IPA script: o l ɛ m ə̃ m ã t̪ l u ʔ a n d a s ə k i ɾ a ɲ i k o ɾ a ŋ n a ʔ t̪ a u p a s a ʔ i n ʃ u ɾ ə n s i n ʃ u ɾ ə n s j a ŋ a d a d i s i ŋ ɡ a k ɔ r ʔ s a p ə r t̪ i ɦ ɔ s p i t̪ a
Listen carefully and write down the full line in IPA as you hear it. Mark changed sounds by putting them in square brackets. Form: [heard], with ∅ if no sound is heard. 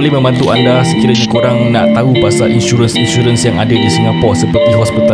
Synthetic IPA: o l ɛ m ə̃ m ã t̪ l u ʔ a n d a s ə k i ɾ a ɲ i k o ɾ a ŋ n a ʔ t̪ a u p a s a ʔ i n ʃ u ɾ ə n s i n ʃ u ɾ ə n s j a ŋ a d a d i s i ŋ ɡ a [p] ɔ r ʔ s [ə] p ə r t̪ i ɦ ɔ s p i t̪ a